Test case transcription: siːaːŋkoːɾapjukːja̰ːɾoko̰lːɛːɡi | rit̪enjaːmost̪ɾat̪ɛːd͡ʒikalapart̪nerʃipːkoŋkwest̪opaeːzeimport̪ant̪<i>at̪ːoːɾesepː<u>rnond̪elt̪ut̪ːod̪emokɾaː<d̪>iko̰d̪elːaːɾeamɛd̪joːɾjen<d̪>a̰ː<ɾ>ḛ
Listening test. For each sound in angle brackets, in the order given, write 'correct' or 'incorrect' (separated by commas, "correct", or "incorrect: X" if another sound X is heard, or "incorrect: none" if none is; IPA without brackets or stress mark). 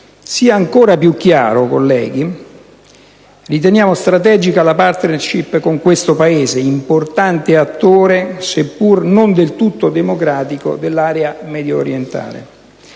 incorrect: e, correct, incorrect: t̪, incorrect: t̪, incorrect: l